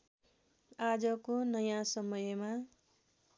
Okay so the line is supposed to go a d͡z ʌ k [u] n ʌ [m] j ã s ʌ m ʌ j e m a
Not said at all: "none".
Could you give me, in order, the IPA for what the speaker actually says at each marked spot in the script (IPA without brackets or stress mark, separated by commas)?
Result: o, none